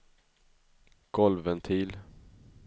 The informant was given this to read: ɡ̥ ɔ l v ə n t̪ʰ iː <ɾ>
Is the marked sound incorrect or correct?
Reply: incorrect